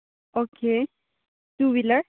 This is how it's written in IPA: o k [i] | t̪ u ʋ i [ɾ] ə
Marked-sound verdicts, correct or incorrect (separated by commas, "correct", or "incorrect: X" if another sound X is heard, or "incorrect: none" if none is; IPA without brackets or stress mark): incorrect: e, incorrect: l